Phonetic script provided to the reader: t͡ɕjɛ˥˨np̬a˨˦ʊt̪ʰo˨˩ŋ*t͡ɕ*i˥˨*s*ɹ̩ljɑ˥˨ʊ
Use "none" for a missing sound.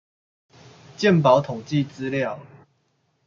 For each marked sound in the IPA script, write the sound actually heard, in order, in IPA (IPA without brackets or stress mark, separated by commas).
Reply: t͡ɕ, t͡s